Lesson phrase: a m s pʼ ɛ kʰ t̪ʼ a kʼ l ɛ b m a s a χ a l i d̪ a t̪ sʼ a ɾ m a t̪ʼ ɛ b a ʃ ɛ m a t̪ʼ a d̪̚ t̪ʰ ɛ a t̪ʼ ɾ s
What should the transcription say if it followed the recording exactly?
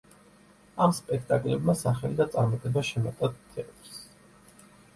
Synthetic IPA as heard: a m s pʼ ɛ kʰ t̪ʼ a kʼ l ɛ b m a s a χ ɛ l i d̪ a t̪ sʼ a ɾ m a t̪ʼ ɛ b a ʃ ɛ m a t̪ʼ a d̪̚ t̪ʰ ɛ a t̪ʼ ɾ s